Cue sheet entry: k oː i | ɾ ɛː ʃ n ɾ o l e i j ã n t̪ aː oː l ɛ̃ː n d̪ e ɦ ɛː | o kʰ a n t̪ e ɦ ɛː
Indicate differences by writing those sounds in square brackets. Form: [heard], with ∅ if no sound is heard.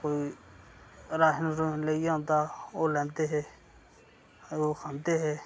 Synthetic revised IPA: k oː i | ɾ [aː] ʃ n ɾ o l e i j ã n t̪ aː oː l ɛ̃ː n [t̪] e ɦ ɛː | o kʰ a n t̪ e ɦ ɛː